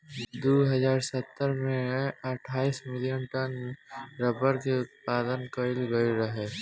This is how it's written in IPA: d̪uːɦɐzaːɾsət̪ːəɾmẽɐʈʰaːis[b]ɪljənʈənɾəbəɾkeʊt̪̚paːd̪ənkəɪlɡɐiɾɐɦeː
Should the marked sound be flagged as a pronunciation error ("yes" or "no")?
yes